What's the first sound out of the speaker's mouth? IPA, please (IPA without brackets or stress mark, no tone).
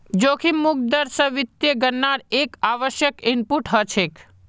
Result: d͡ʒ